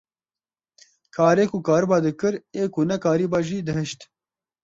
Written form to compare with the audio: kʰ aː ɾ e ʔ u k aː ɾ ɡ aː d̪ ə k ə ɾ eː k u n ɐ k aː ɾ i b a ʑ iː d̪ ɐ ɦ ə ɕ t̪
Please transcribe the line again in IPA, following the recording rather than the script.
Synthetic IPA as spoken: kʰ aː ɾ e k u k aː ɾ b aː d̪ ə k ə ɾ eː k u n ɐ k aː ɾ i b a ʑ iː d̪ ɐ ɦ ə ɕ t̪